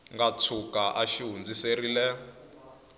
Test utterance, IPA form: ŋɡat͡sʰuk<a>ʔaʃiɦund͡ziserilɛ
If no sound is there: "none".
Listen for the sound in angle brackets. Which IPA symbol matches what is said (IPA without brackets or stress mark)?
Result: a